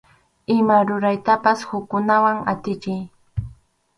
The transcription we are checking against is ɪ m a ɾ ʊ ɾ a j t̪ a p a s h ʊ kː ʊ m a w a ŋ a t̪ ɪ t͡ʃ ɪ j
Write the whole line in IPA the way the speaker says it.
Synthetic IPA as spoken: ɪ m a ɾ ʊ ɾ a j t̪ a p a s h ʊ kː ʊ n a w a ŋ a t̪ ɪ t͡ʃ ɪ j